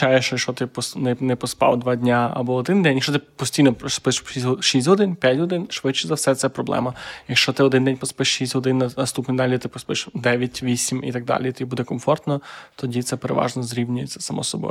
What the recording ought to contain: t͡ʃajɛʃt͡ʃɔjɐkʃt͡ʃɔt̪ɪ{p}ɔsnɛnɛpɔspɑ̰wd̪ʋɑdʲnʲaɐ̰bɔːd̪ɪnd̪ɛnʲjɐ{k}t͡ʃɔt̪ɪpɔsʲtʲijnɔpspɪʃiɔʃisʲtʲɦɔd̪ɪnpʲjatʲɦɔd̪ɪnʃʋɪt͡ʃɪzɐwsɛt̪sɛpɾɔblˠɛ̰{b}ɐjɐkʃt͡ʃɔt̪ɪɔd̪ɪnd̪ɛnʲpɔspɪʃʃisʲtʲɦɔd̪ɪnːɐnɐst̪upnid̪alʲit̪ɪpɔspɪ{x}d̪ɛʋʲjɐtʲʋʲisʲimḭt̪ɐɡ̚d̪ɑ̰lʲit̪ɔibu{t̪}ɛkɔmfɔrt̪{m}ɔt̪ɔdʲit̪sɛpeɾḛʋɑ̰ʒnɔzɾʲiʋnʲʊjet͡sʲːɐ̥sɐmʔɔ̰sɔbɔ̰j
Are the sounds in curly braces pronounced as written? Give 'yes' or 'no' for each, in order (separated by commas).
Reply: yes, yes, no, no, no, no